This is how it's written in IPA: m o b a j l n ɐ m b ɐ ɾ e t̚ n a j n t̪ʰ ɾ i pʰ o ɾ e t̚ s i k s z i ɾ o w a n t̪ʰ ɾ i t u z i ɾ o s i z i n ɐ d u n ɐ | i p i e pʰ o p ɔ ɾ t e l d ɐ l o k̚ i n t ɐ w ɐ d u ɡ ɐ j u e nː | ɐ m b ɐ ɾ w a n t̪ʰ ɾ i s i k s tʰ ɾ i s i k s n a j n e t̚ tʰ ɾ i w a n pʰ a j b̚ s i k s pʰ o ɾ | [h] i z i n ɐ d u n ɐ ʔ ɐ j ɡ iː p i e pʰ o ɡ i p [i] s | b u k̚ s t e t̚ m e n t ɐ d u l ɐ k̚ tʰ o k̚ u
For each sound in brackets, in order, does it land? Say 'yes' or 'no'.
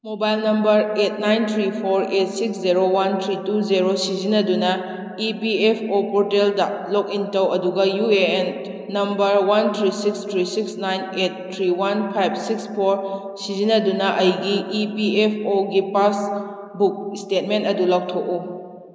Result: no, no

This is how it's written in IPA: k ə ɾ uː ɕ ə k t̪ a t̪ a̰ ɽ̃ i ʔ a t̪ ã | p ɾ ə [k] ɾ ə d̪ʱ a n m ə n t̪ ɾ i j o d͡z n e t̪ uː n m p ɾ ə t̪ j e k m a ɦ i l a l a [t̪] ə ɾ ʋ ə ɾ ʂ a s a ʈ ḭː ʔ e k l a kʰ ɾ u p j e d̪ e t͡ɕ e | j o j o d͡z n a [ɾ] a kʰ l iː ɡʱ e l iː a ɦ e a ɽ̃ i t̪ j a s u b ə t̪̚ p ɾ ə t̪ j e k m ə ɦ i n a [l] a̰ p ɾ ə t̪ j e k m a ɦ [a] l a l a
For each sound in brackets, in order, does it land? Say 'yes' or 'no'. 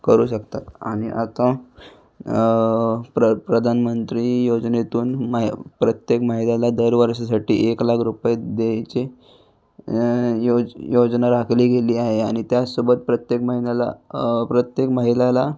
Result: no, no, yes, yes, no

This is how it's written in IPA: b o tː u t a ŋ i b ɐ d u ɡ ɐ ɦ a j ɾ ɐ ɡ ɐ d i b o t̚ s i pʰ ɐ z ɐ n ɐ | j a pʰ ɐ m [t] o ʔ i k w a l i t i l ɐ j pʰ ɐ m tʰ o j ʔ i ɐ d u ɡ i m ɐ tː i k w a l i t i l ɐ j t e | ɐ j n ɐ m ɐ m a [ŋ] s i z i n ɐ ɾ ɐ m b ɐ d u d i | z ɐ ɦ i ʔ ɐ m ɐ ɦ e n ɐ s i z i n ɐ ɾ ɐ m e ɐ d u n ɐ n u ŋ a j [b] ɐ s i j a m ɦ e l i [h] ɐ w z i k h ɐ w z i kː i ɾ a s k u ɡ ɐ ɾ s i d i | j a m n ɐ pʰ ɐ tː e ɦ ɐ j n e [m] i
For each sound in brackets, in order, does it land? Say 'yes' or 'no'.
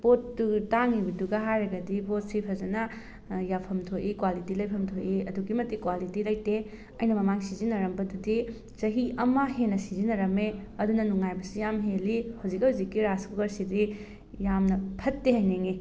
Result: no, yes, yes, yes, no

